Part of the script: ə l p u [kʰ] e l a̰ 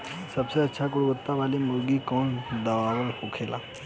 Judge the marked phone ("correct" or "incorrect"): correct